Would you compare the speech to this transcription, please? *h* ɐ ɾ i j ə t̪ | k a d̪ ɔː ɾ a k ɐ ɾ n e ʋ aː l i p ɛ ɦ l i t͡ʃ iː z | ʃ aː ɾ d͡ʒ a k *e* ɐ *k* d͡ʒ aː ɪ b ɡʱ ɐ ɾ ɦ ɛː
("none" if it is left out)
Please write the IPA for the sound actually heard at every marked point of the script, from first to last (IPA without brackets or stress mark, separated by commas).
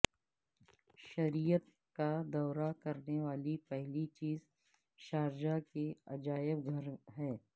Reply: ʃ, e, none